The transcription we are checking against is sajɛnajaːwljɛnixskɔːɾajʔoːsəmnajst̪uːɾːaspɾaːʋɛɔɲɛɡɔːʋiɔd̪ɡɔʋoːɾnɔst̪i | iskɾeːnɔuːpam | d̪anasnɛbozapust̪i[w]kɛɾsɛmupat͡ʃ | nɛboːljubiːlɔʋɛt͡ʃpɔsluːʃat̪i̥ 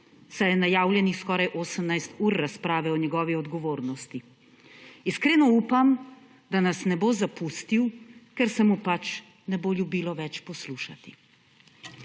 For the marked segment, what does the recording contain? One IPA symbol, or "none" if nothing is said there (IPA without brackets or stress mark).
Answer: w